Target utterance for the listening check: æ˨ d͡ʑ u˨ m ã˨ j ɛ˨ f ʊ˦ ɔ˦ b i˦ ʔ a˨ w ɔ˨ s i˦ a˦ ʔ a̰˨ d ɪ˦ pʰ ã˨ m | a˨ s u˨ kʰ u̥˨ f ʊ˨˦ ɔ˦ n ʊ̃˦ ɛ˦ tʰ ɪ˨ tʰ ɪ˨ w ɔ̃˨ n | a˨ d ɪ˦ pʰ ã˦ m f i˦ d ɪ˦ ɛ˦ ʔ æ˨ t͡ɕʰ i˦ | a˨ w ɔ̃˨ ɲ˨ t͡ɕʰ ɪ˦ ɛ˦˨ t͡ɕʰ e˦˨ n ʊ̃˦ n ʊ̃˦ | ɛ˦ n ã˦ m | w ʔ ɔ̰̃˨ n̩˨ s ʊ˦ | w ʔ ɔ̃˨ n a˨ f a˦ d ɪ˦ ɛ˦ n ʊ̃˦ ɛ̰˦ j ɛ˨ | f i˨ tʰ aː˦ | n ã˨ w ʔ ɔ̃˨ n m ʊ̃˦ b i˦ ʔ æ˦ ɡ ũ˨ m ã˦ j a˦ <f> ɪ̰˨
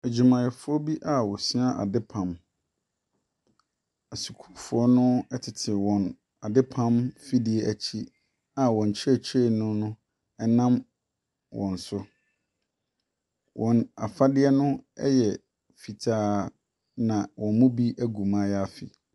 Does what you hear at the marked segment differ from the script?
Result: no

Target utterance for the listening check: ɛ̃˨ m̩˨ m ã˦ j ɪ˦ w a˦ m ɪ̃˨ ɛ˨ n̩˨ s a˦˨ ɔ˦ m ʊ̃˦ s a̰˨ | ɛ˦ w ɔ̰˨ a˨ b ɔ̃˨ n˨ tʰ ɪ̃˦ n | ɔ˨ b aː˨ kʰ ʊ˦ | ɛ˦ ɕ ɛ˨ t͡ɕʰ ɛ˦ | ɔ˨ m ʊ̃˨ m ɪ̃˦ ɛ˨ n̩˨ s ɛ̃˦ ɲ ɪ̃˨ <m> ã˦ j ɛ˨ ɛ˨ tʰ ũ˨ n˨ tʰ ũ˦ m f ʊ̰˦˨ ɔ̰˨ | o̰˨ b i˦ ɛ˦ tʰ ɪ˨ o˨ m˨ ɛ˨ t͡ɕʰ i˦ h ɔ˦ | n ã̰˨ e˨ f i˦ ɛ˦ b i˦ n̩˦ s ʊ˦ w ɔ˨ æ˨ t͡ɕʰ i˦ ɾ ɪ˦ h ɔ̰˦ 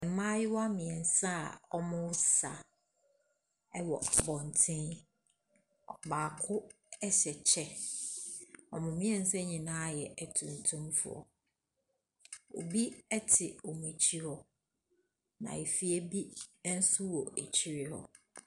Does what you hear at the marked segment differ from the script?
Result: yes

